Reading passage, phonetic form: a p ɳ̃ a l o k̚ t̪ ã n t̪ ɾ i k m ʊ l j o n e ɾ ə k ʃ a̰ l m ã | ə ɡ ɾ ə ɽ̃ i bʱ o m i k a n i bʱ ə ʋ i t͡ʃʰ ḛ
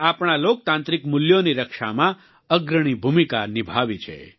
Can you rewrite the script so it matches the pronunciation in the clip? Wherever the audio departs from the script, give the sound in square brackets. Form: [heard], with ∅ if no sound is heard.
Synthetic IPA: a p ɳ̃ a l o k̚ t̪ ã n t̪ ɾ i k m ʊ l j o n [i] ɾ ə k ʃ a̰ [∅] m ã | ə ɡ ɾ ə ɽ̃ i bʱ [u] m i k a n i bʱ [a] ʋ i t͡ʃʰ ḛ